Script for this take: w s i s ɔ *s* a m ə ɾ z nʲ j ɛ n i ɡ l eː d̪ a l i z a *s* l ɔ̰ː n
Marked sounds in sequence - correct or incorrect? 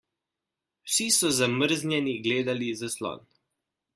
incorrect: z, correct

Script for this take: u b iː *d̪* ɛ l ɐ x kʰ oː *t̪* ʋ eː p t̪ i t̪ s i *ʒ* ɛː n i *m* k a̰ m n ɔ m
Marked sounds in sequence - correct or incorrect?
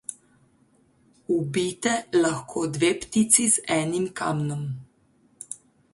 incorrect: t̪, incorrect: d̪, incorrect: z, correct

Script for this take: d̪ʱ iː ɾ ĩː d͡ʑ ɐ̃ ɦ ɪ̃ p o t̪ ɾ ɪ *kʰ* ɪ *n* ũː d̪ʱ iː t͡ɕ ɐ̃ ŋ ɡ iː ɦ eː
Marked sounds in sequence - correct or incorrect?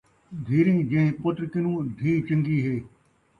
incorrect: k, correct

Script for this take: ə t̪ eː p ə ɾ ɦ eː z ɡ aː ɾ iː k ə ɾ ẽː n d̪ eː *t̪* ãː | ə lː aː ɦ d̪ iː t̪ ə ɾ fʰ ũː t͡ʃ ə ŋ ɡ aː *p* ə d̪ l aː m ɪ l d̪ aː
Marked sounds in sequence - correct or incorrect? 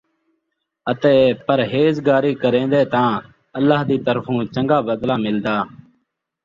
correct, incorrect: b

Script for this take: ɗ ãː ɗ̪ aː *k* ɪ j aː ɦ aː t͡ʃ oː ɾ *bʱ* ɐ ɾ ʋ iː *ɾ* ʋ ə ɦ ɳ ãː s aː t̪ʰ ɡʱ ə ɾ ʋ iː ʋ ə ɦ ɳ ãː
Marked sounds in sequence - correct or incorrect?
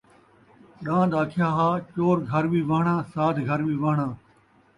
incorrect: kʰ, incorrect: ɡʱ, incorrect: none

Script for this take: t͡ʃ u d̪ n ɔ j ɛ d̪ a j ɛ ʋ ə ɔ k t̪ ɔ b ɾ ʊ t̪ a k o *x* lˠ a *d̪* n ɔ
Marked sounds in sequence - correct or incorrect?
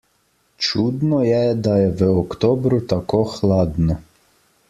correct, correct

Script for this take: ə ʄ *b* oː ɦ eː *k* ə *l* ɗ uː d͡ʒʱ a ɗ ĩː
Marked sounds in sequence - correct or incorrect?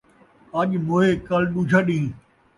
incorrect: m, correct, correct

